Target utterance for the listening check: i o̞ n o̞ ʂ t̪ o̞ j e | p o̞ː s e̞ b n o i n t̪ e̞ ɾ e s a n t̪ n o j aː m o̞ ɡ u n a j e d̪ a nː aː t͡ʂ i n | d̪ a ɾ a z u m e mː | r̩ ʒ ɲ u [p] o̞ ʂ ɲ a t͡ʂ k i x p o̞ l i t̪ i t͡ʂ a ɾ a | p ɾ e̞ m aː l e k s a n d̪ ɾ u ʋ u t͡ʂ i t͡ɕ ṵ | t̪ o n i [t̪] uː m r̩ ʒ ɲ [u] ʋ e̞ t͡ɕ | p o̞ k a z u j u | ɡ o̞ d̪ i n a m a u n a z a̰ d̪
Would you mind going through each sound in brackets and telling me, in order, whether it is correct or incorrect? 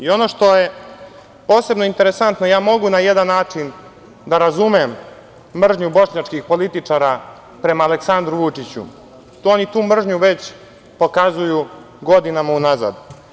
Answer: incorrect: b, correct, correct

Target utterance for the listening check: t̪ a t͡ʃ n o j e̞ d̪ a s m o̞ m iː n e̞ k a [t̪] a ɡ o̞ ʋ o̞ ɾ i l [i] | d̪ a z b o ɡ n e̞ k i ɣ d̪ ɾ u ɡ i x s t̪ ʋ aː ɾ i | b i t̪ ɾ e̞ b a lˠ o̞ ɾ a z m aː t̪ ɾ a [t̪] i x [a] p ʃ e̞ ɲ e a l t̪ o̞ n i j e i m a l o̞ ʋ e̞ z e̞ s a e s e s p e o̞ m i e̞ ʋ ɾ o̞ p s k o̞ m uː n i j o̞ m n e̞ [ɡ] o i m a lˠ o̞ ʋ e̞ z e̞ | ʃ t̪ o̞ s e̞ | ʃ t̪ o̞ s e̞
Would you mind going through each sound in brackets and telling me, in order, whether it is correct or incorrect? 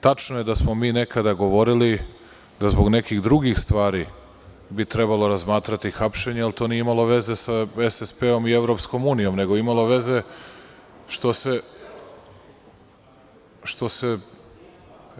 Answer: incorrect: d̪, correct, correct, correct, correct

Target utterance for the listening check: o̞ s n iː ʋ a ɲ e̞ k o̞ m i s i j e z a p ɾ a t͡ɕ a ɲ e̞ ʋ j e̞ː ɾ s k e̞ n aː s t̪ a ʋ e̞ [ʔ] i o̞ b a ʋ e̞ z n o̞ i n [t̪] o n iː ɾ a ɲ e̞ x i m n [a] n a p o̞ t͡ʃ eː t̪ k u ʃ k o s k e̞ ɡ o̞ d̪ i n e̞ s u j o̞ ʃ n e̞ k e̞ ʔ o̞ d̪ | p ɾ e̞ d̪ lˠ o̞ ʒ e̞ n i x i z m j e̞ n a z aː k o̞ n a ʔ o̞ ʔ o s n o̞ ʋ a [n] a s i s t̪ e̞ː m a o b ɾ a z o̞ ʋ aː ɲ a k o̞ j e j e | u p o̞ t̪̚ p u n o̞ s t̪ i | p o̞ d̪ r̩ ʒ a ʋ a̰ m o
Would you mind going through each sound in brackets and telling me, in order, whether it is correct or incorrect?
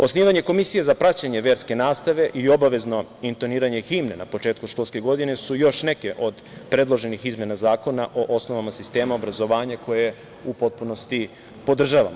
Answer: correct, correct, incorrect: e, incorrect: m

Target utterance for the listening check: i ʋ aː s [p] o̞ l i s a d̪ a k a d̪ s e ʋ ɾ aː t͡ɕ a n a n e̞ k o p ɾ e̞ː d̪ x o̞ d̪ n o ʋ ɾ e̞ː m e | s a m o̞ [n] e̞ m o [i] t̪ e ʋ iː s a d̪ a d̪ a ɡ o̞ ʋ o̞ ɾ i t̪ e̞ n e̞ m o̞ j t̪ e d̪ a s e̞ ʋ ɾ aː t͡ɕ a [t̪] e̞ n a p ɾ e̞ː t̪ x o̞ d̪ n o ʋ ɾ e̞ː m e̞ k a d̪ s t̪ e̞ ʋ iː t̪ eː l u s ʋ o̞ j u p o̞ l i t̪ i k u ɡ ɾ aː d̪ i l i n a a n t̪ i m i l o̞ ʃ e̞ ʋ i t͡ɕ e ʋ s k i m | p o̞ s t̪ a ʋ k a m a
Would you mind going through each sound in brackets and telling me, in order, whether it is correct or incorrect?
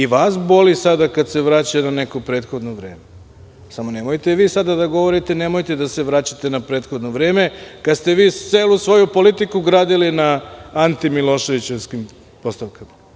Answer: incorrect: b, correct, incorrect: j, correct

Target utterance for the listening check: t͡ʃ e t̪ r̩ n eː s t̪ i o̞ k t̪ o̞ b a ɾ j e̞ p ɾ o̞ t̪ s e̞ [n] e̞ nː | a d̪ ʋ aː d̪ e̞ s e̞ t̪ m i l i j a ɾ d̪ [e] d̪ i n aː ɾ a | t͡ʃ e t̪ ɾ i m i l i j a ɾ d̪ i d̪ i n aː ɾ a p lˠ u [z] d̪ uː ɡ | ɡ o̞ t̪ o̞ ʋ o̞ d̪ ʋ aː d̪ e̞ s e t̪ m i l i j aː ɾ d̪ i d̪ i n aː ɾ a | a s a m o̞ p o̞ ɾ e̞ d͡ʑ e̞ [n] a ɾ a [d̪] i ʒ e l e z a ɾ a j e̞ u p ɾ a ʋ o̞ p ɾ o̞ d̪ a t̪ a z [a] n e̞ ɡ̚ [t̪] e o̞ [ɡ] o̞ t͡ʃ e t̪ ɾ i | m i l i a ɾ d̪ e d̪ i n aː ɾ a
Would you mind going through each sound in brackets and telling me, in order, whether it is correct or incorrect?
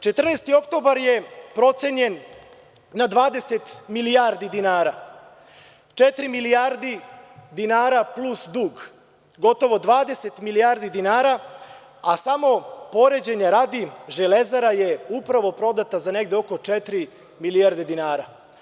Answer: incorrect: ɲ, incorrect: i, incorrect: s, incorrect: ɲ, correct, correct, incorrect: d̪, incorrect: k

